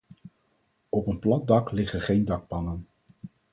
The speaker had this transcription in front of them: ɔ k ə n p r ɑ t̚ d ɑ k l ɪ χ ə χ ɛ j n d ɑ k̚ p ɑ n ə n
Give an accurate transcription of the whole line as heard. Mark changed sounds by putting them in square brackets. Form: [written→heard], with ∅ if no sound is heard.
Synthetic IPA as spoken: ɔ [k→p] ə n p [r→l] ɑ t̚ d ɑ k l ɪ χ ə χ [ɛ→e] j n d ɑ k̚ p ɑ n ə n